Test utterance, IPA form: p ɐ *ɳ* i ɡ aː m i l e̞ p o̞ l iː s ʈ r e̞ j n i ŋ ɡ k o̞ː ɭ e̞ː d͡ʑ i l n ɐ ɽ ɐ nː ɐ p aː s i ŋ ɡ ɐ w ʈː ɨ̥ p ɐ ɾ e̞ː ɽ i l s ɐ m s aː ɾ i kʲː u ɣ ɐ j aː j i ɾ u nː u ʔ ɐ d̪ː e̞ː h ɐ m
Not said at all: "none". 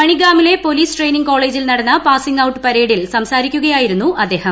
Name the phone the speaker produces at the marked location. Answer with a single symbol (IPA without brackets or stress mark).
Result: ɳ